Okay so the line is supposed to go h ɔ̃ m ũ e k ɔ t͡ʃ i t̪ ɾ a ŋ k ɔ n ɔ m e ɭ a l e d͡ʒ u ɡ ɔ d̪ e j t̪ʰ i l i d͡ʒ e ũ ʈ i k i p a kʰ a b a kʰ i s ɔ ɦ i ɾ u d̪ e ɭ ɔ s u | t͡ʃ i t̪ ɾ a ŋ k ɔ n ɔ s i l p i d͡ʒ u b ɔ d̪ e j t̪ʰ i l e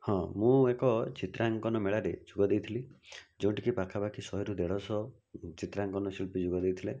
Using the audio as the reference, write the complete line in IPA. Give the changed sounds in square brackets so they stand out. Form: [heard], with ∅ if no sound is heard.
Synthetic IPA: h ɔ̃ m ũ e k ɔ t͡ʃ i t̪ ɾ a ŋ k ɔ n ɔ m e ɭ a [ɾ] e d͡ʒ u ɡ ɔ d̪ e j t̪ʰ i l i d͡ʒ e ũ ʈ i k i p a kʰ a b a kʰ i s ɔ ɦ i ɾ u d̪ e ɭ ɔ s [ɔ] | t͡ʃ i t̪ ɾ a ŋ k ɔ n ɔ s i l p i d͡ʒ u [ɡ] ɔ d̪ e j t̪ʰ i l e